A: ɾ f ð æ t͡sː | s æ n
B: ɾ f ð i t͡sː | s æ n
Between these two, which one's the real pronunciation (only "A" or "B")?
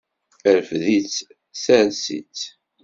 B